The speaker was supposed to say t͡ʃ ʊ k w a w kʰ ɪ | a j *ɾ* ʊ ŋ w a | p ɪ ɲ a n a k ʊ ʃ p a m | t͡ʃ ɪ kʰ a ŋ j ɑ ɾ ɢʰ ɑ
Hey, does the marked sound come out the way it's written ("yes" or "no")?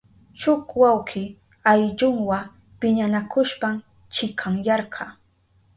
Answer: no